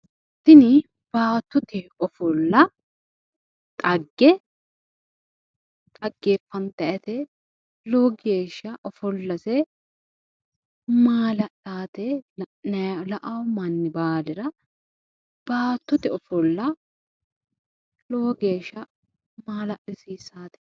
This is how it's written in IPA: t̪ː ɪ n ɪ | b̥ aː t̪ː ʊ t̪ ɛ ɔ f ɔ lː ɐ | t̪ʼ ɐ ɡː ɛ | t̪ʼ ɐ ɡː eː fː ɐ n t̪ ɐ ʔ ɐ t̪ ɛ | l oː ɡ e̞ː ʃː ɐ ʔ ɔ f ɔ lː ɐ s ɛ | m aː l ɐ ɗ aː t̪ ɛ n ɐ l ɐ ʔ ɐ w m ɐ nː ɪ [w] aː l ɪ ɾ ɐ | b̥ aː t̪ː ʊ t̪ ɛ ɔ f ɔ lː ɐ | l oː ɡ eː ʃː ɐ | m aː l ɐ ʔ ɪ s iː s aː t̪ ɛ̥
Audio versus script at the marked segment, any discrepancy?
yes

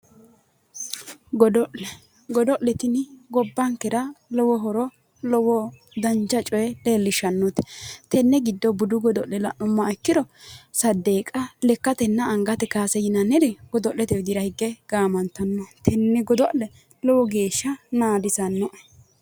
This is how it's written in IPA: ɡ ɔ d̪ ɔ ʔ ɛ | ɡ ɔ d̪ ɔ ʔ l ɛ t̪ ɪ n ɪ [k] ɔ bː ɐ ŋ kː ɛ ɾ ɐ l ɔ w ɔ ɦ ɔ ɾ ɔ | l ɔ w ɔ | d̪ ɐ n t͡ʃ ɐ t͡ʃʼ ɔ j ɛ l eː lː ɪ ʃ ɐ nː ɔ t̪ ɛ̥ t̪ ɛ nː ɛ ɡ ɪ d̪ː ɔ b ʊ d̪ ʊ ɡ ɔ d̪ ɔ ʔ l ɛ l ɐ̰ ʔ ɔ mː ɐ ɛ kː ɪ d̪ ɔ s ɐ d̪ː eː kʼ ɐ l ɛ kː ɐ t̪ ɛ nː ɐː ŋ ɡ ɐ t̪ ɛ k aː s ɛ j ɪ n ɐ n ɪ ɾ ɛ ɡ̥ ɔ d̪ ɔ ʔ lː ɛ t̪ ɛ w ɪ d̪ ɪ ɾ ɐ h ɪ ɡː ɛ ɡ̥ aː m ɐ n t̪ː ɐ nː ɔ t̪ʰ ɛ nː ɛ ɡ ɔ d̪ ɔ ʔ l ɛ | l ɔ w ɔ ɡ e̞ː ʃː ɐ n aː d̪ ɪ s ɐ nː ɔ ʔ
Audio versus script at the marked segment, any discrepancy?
yes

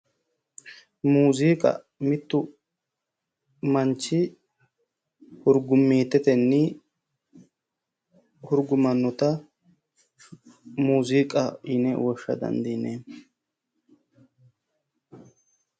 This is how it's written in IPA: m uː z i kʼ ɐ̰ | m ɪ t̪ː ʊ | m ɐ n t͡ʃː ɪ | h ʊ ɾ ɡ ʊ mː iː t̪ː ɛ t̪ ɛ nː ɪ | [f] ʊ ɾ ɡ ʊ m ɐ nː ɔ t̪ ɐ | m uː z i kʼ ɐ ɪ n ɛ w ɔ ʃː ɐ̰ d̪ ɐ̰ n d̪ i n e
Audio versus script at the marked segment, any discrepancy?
yes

